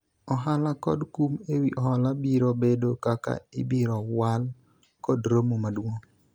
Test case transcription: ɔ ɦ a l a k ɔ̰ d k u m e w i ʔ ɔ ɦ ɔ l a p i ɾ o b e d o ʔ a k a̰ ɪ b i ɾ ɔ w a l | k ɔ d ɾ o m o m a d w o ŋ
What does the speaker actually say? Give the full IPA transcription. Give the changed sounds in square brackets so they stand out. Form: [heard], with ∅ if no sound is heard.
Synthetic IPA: ɔ ɦ a l a k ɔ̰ d k u m e w i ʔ ɔ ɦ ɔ l a [b] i ɾ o b e d o [k] a k a̰ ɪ b i ɾ ɔ w a l | k ɔ d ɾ o m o m a d w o ŋ